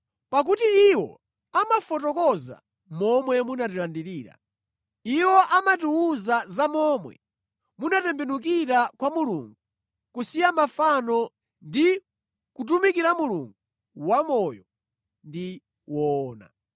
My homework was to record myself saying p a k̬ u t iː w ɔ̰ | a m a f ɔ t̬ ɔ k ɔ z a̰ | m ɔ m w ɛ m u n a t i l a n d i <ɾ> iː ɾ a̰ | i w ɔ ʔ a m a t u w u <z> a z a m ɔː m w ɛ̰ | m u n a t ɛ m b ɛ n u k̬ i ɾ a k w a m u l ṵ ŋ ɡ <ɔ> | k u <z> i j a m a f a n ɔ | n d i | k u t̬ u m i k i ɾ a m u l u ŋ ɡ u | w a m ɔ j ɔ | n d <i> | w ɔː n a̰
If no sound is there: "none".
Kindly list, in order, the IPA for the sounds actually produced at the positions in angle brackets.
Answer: ɾ, z, u, s, i

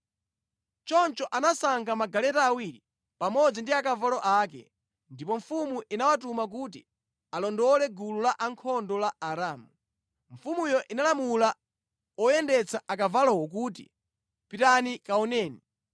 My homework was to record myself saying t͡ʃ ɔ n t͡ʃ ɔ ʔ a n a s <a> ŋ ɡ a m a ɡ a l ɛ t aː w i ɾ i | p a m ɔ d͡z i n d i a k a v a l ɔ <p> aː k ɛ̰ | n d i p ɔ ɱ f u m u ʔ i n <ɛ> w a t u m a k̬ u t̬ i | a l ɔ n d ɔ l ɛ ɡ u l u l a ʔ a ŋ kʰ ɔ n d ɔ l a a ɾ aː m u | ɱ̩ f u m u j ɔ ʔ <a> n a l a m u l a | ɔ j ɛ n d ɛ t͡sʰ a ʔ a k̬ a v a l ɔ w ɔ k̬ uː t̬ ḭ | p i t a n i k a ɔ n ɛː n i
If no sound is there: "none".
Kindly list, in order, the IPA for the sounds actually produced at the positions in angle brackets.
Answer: a, ʔ, a, i

